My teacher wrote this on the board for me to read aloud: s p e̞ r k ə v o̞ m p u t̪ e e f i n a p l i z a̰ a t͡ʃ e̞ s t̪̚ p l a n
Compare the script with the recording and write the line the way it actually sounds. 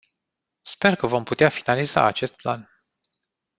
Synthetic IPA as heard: s p e̞ r k ə v o̞ m p u t̪ e a f i n a l i z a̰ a t͡ʃ e̞ s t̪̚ p l a n